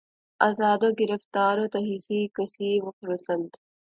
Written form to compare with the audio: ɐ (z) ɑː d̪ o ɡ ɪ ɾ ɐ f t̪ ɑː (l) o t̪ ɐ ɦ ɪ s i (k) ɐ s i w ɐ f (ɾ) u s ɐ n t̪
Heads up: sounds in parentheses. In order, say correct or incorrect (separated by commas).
correct, incorrect, correct, correct